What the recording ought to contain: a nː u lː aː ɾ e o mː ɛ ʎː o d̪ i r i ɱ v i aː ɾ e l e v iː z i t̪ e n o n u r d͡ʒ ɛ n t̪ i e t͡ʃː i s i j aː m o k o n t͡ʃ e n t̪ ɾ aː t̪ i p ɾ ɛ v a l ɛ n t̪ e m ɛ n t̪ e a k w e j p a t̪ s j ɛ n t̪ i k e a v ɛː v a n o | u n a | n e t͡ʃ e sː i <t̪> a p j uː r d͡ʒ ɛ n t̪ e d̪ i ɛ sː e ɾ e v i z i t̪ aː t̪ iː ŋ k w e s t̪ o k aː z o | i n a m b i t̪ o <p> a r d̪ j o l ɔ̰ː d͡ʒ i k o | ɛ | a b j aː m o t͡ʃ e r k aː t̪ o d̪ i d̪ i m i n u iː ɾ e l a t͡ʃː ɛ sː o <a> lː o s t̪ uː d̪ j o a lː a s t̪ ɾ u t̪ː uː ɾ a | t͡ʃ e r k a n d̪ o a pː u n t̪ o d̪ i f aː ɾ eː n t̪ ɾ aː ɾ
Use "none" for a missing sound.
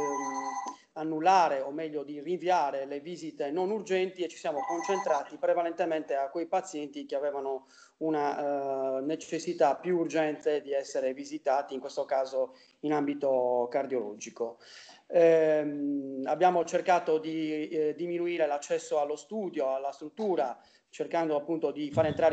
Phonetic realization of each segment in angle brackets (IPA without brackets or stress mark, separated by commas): t̪, k, a